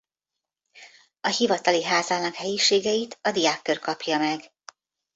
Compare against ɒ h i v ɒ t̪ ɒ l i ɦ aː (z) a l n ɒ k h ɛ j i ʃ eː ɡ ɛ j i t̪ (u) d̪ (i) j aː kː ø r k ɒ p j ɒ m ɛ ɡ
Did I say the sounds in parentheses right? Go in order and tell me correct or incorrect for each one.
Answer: correct, incorrect: ɒ, correct

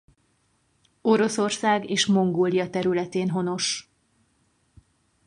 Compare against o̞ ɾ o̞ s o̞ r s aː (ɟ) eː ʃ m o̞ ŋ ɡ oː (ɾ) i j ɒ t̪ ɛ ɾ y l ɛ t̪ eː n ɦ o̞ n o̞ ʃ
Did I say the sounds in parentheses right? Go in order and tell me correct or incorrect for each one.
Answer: incorrect: ɡ, incorrect: l

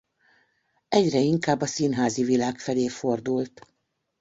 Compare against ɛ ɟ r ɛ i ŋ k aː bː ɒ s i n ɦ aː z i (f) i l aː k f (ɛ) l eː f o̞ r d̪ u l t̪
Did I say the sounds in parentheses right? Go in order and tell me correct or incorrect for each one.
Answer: incorrect: v, correct

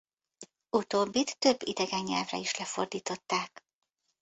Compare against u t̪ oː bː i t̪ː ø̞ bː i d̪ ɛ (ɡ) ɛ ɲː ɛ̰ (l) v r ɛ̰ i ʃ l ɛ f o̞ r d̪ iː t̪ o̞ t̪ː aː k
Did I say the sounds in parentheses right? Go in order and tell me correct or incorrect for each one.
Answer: correct, correct

